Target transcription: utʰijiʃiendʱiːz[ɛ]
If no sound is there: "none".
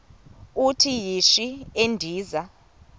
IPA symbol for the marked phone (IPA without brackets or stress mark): a